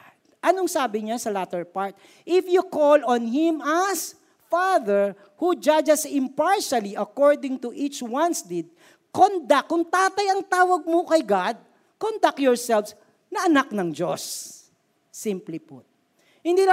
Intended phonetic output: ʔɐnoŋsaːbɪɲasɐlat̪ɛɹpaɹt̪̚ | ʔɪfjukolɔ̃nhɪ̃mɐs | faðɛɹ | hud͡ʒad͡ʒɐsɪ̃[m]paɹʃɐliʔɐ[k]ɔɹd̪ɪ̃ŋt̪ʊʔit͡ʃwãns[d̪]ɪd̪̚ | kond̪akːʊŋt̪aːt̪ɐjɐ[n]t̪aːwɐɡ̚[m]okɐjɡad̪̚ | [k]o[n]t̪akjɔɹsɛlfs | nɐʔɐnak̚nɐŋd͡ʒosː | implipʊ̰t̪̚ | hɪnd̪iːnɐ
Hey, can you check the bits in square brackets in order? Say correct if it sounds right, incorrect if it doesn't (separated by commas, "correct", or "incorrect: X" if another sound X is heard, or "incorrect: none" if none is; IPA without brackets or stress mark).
correct, correct, correct, incorrect: ŋ, correct, correct, correct